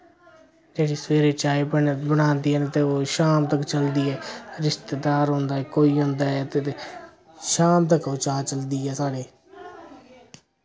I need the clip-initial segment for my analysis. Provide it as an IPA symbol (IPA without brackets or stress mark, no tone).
d͡ʒ